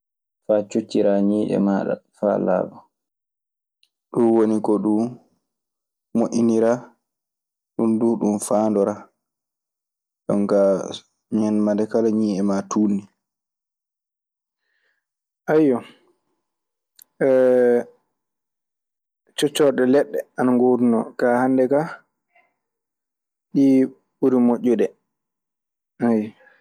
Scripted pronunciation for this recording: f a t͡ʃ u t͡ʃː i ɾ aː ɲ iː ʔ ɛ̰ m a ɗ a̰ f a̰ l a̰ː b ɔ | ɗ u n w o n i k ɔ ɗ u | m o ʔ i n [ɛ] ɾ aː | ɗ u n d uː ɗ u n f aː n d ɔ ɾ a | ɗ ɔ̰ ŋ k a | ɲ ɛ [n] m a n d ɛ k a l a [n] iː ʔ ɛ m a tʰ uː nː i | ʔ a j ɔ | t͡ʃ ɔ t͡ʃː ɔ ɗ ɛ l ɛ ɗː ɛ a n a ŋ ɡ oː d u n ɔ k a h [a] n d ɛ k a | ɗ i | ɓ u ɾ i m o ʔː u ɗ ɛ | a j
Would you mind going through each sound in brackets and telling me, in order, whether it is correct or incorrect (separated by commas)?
incorrect, correct, incorrect, correct